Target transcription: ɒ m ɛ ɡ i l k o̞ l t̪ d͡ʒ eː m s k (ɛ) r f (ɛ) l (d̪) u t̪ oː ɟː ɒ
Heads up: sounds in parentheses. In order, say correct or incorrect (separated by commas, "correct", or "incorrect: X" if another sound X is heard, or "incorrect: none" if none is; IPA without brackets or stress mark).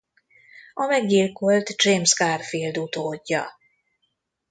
incorrect: a, incorrect: i, correct